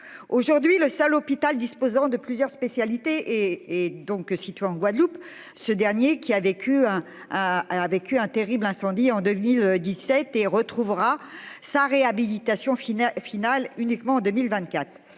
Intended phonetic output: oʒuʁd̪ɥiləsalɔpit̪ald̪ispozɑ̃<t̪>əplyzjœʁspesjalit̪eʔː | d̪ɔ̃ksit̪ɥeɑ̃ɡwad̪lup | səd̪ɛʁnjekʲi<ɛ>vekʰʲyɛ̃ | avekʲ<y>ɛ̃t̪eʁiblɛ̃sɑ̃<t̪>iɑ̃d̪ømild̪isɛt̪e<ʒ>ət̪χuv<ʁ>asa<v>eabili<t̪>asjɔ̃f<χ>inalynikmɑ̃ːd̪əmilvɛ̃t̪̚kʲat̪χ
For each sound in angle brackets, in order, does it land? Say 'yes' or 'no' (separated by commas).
no, no, yes, no, no, yes, no, yes, no